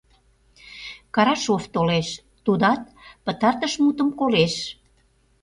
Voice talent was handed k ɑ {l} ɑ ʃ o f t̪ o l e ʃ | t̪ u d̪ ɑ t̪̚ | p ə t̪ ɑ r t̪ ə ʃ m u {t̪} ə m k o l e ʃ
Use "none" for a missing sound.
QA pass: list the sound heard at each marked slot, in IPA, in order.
ɾ, t̪

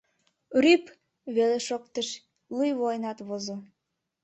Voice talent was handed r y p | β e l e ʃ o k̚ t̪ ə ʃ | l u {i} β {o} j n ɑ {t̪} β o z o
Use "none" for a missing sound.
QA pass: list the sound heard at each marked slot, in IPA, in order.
j, o, t̪

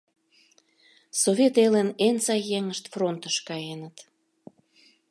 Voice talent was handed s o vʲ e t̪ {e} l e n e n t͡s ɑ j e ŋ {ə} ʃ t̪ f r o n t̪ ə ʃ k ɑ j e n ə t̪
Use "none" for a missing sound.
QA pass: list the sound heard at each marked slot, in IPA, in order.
e, ə

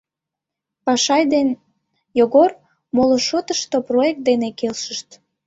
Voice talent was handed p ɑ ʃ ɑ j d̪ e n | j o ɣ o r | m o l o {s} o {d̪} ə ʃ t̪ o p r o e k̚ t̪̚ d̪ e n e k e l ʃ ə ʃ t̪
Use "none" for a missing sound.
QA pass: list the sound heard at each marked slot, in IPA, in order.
ʃ, t̪

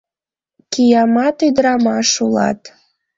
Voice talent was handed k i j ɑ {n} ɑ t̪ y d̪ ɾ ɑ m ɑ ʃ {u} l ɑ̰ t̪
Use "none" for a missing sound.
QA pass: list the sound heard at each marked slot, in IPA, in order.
m, u

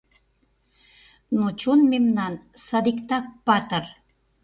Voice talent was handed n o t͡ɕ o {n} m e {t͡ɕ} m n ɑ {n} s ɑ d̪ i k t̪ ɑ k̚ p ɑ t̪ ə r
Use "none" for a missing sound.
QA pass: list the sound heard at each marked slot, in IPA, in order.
n, none, n

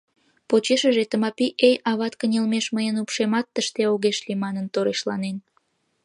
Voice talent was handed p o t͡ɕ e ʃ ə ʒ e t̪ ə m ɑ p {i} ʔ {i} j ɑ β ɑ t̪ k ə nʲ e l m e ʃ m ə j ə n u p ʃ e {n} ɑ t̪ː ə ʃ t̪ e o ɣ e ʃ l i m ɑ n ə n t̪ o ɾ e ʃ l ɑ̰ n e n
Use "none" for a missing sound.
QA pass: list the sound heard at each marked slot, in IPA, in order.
i, e, m

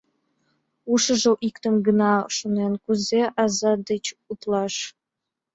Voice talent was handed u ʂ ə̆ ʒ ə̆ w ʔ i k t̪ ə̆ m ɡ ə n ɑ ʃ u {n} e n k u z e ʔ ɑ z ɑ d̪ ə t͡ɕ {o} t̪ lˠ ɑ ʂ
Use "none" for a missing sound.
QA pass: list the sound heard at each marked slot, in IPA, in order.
n, u

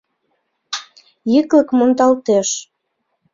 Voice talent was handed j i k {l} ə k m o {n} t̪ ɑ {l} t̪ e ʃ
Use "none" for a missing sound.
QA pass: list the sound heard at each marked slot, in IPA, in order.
l, n, l

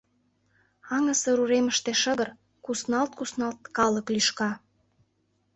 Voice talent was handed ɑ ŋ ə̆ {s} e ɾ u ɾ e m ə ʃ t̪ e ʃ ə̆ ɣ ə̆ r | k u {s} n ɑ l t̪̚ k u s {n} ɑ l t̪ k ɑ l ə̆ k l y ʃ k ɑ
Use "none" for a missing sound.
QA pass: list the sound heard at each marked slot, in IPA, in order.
s, s, n

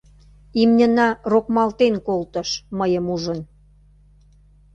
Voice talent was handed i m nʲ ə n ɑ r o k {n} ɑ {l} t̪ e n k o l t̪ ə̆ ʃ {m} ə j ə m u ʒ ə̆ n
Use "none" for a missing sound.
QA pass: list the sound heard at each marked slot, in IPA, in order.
m, l, m

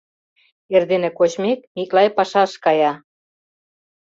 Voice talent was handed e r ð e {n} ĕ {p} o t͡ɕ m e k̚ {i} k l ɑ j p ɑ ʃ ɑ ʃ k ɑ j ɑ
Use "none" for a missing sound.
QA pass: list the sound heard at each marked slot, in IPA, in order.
n, k, i

